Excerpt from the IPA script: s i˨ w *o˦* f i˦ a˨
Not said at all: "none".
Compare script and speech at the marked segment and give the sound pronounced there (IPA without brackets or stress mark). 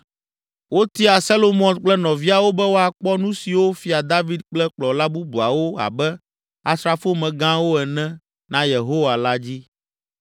o˦